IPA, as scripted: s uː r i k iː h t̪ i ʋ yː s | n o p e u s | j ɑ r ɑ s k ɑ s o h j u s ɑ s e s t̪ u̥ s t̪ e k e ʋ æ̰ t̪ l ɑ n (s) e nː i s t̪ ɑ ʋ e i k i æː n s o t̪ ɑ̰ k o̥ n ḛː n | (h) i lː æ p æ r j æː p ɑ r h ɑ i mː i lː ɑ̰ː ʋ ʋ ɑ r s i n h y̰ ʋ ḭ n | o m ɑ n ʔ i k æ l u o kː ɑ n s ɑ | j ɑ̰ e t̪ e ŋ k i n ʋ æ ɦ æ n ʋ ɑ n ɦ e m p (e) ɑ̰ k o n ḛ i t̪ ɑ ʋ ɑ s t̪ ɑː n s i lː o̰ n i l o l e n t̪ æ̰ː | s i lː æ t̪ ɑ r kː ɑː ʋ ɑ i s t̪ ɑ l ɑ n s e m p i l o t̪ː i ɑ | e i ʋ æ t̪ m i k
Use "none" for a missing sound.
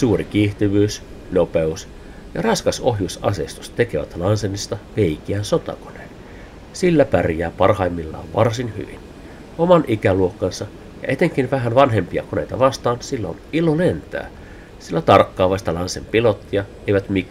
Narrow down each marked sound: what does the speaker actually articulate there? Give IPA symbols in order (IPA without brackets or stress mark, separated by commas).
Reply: s, s, i